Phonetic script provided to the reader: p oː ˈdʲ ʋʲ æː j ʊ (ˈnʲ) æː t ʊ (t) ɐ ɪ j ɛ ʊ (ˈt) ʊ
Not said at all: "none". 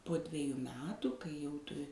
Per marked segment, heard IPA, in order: mʲ, k, t

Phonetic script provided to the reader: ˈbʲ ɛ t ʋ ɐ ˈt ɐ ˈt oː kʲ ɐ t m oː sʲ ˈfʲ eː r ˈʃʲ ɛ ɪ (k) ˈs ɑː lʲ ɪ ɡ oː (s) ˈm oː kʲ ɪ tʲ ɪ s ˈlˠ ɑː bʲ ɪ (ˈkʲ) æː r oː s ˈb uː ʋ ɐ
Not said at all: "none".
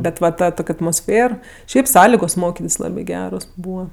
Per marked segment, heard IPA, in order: p, s, ɡʲ

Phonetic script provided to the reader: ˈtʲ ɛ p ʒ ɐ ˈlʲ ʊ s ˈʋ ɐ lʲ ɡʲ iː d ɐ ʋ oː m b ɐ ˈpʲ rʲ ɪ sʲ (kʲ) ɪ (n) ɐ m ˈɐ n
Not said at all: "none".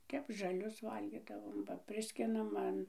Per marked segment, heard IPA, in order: kʲ, n

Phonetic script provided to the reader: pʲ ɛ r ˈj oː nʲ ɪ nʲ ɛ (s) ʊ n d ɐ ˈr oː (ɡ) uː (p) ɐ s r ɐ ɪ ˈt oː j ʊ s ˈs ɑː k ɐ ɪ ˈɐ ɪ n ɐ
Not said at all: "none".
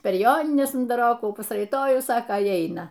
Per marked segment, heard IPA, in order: s, k, p

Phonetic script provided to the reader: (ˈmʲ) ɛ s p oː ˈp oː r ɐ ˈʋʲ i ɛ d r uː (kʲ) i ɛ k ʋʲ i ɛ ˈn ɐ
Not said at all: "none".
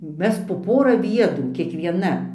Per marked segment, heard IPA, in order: mʲ, kʲ

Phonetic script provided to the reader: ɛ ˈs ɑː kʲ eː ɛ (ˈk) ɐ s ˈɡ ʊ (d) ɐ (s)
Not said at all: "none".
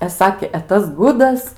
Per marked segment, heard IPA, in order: t, d, s

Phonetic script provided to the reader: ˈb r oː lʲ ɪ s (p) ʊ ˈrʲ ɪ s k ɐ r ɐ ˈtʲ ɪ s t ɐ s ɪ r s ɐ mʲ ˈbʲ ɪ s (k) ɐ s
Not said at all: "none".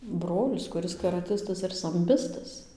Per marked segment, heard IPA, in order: k, t

